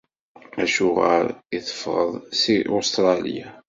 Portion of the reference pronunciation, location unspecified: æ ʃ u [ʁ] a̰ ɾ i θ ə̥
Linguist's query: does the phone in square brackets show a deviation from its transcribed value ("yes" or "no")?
no